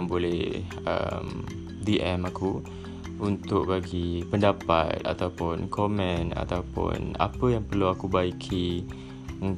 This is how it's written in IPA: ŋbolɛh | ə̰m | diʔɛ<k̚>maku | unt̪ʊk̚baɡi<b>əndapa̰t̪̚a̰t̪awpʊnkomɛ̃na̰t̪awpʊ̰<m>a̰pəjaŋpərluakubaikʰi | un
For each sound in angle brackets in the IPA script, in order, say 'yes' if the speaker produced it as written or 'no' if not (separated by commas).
no, no, no